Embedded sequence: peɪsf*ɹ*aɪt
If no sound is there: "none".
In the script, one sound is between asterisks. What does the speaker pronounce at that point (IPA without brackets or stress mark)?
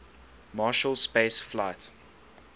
l